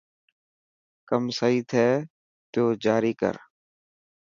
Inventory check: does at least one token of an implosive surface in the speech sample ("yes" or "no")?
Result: no